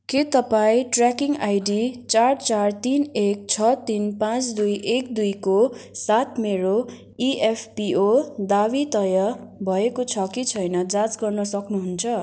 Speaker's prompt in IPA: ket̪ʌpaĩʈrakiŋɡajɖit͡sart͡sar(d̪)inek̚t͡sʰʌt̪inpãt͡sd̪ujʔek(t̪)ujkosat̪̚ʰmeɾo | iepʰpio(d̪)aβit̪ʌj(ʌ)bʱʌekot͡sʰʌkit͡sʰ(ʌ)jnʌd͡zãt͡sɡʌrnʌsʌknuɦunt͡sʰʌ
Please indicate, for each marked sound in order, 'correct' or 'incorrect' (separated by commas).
incorrect, incorrect, correct, correct, correct